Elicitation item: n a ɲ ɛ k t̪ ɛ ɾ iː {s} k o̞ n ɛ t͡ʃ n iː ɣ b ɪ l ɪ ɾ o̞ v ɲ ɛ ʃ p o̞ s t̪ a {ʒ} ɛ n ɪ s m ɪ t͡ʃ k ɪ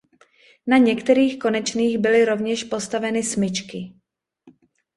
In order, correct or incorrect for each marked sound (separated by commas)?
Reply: incorrect, incorrect